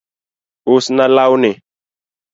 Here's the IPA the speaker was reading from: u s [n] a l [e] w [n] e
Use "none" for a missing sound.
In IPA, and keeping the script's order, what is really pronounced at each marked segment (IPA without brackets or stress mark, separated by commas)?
n, a, n